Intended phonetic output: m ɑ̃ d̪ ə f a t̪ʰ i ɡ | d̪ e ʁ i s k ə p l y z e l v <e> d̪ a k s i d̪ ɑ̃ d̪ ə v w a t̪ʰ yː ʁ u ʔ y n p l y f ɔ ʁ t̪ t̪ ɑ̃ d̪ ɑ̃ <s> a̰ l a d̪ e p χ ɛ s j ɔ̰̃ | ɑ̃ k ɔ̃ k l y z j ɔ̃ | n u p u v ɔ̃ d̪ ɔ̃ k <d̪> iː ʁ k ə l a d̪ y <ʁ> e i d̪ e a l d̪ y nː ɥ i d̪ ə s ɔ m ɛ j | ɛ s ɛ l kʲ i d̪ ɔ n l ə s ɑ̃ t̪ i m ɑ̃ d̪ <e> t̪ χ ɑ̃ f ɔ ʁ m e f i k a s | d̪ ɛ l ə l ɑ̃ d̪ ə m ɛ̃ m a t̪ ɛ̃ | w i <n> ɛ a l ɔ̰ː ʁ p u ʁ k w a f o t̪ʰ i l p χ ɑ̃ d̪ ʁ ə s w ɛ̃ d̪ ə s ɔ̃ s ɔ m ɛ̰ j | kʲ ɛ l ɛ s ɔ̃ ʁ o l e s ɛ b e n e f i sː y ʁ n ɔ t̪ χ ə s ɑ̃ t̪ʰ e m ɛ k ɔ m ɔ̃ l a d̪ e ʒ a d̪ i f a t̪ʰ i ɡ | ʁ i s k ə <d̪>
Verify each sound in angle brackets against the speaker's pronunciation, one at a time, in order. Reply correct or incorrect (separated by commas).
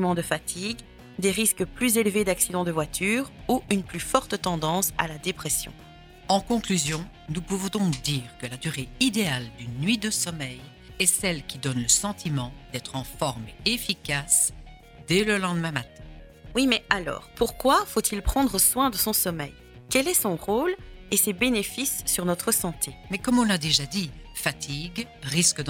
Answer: correct, correct, correct, correct, incorrect, incorrect, correct